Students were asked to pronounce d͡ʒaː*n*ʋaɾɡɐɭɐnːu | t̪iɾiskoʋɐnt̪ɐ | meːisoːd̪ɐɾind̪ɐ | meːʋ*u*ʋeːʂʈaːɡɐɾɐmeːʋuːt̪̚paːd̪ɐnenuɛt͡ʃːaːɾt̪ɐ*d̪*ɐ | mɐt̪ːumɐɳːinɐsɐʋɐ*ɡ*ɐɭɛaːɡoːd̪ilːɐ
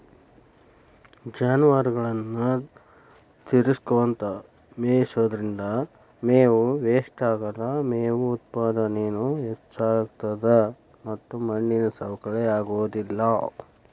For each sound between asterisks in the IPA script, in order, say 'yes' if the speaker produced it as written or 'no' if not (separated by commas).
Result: yes, yes, yes, no